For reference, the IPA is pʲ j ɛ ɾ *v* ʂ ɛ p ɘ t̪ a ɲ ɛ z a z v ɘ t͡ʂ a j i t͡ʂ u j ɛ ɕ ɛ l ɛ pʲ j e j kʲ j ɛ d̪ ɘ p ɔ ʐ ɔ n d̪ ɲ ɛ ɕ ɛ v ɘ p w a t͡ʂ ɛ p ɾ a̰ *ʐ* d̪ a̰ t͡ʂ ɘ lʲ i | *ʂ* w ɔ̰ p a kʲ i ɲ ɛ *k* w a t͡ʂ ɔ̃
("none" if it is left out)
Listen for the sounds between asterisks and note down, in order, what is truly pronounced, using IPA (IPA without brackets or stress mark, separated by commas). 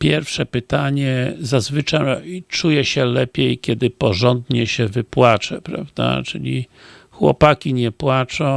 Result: f, v, x, p